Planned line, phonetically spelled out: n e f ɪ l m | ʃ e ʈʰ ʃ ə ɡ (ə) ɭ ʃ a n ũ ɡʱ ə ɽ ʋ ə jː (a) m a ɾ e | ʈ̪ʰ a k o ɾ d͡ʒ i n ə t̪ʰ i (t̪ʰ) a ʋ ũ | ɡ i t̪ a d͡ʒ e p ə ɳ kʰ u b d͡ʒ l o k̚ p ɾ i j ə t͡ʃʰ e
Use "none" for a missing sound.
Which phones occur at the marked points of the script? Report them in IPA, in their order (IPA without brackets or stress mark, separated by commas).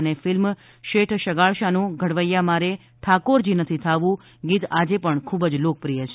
a, a, t̪ʰ